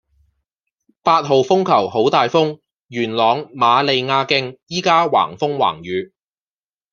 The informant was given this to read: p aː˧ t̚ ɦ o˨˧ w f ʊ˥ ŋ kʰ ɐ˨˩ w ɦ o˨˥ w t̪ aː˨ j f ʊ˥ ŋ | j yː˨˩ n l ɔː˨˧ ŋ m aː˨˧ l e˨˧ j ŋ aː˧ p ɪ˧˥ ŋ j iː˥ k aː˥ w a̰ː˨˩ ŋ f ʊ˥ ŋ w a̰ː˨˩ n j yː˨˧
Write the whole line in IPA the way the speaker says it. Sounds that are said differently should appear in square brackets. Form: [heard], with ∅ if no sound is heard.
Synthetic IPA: p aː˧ t̚ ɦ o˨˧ w f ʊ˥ ŋ kʰ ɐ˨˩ w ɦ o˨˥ w t̪ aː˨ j f ʊ˥ ŋ | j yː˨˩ n l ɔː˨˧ ŋ m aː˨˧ l e˨˧ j ŋ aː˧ [k] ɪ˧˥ ŋ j iː˥ k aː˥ w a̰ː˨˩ ŋ f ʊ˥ ŋ w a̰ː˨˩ [ŋ] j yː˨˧

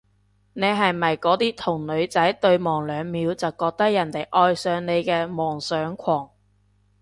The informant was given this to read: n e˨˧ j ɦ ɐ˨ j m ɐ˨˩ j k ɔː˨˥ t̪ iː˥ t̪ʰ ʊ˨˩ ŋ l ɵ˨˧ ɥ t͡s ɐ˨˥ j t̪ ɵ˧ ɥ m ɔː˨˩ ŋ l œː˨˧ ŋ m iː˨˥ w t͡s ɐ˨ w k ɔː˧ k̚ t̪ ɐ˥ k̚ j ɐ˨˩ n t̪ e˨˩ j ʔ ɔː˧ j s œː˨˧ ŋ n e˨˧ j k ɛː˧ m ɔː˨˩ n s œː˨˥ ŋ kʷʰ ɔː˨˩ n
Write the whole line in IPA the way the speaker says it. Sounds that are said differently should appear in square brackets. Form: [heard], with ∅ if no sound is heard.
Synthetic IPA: n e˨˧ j ɦ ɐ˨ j m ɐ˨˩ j k ɔː˨˥ t̪ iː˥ t̪ʰ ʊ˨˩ ŋ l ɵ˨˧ ɥ t͡s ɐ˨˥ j t̪ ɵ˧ ɥ m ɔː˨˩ ŋ l œː˨˧ ŋ m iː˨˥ w t͡s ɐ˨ w k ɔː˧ k̚ t̪ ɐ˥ k̚ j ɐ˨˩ n t̪ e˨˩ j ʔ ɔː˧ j s œː˨˧ ŋ n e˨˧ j k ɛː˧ m ɔː˨˩ [ŋ] s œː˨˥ ŋ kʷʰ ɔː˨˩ [ŋ]

